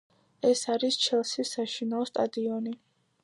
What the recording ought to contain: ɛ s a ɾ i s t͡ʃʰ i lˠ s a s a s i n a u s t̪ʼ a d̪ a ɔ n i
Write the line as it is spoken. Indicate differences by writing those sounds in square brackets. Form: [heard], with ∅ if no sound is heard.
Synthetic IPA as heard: ɛ s a ɾ i s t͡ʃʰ [ɛ] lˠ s [i] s a [ʃ] i n a [ɔ] s t̪ʼ a d̪ [i] ɔ n i

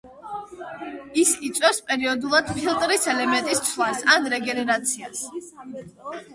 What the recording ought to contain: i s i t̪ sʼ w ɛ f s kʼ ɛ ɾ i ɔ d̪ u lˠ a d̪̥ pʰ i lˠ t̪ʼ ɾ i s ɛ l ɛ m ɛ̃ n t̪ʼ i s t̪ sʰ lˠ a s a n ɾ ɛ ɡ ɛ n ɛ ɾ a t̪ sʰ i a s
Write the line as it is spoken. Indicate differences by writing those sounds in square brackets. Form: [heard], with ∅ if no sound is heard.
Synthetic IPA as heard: i s i t̪ sʼ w ɛ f s [pʼ] ɛ ɾ i ɔ d̪ u lˠ a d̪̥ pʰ i lˠ t̪ʼ ɾ i s ɛ l ɛ m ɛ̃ n t̪ʼ i s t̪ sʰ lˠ a s a n ɾ ɛ ɡ ɛ n ɛ ɾ a t̪ sʰ i a s

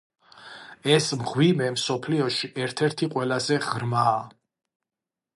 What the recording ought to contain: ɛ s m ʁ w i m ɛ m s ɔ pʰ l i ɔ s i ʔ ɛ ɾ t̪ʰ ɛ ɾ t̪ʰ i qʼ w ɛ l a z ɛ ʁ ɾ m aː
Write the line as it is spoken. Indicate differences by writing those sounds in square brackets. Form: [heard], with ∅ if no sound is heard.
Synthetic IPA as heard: ɛ s m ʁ w i m ɛ m s ɔ pʰ l i ɔ [ʃ] i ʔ ɛ ɾ t̪ʰ ɛ ɾ t̪ʰ i qʼ w ɛ l a z ɛ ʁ ɾ m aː

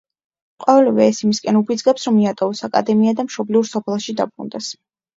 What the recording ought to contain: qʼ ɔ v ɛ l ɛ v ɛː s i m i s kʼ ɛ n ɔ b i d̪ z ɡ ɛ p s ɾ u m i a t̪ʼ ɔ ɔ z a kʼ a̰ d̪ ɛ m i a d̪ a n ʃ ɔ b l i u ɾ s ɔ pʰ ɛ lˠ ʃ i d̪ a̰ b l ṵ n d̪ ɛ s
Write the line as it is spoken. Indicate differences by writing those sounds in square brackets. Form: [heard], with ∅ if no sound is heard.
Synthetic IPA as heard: qʼ ɔ v ɛ l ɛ v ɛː s i m i s kʼ ɛ n [u] b i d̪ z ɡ ɛ p s ɾ [ɔ] m i a t̪ʼ ɔ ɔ [s] a kʼ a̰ d̪ ɛ m i a d̪ a [m] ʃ ɔ b l i u ɾ s ɔ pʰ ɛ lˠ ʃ i d̪ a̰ b [ɾ] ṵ n d̪ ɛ s

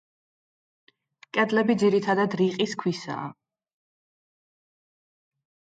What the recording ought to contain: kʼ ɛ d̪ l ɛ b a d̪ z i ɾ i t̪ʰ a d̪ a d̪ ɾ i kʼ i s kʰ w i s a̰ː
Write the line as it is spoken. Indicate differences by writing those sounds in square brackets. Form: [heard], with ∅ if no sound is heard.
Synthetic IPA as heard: kʼ ɛ d̪ l ɛ b [i] d̪ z i ɾ i t̪ʰ a d̪ a d̪ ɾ i [qʼ] i s kʰ w i s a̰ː

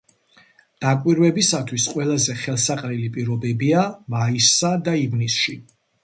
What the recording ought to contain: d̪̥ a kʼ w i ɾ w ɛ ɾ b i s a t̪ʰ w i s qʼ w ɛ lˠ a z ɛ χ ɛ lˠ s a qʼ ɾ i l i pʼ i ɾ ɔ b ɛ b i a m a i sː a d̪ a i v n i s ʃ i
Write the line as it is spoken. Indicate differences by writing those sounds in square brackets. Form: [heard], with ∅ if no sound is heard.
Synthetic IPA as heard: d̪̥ a kʼ w i ɾ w ɛ [∅] b i s a t̪ʰ w i s qʼ w ɛ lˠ a z ɛ χ ɛ lˠ s a qʼ ɾ i l i pʼ i ɾ ɔ b ɛ b i a m a i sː a d̪ a i v n i s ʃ i

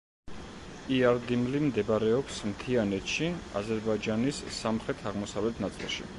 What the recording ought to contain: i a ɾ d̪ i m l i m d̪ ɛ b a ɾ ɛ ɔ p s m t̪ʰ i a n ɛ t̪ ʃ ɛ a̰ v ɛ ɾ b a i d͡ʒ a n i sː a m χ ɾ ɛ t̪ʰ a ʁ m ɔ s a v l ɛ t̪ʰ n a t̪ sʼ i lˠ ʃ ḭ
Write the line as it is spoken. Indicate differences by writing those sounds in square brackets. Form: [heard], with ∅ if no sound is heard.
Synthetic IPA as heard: i a ɾ d̪ i m l i m d̪ ɛ b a ɾ ɛ ɔ p s m t̪ʰ i a n ɛ t̪ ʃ [i] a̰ [z] ɛ ɾ b a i d͡ʒ a n i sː a m χ ɾ ɛ t̪ʰ a ʁ m ɔ s a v l ɛ t̪ʰ n a t̪ sʼ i lˠ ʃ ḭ

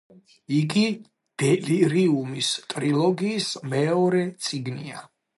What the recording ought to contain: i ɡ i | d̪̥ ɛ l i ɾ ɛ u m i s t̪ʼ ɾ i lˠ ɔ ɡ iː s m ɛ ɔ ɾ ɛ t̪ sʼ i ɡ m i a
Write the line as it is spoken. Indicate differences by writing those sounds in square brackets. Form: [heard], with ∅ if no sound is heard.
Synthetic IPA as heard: i ɡ i | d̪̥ ɛ l i ɾ [i] u m i s t̪ʼ ɾ i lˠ ɔ ɡ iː s m ɛ ɔ ɾ ɛ t̪ sʼ i ɡ [n] i a

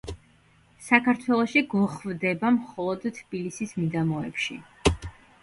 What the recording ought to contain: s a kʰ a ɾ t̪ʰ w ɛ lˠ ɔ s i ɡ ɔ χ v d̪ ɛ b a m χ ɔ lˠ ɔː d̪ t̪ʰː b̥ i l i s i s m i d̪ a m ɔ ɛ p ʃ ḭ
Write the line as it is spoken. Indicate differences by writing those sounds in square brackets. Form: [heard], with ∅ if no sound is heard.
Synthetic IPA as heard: s a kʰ a ɾ t̪ʰ w ɛ lˠ ɔ [ʃ] i ɡ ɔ χ v d̪ ɛ b a m χ ɔ lˠ [ɔ] d̪ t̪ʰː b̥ i l i s i s m i d̪ a m ɔ ɛ p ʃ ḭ

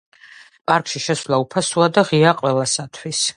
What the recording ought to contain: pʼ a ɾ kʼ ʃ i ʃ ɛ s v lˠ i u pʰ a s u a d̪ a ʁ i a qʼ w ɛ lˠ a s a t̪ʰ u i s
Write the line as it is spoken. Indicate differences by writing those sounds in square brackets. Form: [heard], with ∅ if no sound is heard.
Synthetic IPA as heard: pʼ a ɾ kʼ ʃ i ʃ ɛ s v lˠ [a] u pʰ a s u a d̪ a ʁ i a qʼ w ɛ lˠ a s a t̪ʰ [w] i s

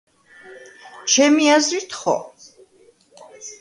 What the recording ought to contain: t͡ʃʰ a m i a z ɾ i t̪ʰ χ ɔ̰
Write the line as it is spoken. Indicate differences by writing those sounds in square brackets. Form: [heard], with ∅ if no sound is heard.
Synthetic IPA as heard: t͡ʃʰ [ɛ] m i a z ɾ i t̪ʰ χ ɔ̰

